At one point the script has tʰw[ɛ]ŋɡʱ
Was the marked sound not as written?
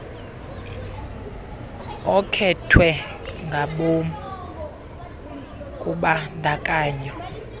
no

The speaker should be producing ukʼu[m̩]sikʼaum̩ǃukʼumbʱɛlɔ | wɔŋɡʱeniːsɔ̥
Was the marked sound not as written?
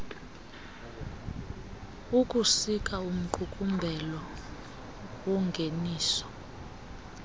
yes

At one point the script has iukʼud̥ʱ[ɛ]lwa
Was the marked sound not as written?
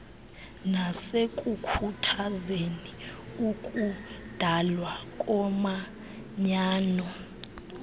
yes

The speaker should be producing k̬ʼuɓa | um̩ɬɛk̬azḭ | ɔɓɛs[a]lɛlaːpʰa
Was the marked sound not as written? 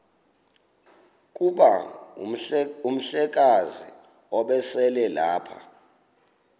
yes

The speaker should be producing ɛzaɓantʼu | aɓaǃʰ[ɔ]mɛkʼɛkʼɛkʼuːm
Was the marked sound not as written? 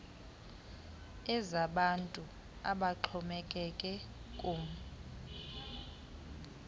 no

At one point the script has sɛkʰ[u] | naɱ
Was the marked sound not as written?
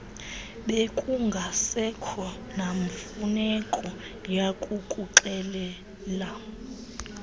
yes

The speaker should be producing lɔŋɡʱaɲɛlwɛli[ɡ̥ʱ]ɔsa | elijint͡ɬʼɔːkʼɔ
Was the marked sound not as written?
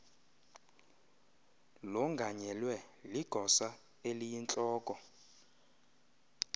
no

